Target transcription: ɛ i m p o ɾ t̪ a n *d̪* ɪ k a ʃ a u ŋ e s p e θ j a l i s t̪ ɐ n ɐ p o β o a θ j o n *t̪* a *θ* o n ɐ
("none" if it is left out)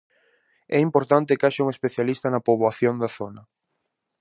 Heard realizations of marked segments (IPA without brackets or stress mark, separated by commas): t̪, d̪, θ